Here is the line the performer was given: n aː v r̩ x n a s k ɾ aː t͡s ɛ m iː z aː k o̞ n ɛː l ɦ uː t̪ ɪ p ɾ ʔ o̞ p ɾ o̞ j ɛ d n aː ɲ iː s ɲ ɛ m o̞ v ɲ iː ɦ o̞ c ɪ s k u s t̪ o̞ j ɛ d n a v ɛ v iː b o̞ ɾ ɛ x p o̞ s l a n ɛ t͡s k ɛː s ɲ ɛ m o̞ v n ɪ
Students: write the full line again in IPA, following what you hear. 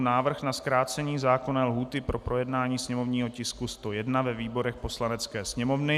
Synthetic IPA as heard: n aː v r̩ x n a s k ɾ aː t͡s ɛ ɲ iː z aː k o̞ n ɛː l ɦ uː t̪ ɪ p ɾ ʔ o̞ p ɾ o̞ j ɛ d n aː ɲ iː s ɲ ɛ m o̞ v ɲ iː ɦ o̞ c ɪ s k u s t̪ o̞ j ɛ d n a v ɛ v iː b o̞ ɾ ɛ x p o̞ s l a n ɛ t͡s k ɛː s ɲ ɛ m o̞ v n ɪ